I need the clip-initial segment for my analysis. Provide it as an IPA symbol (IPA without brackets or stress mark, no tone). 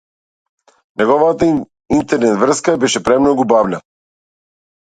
n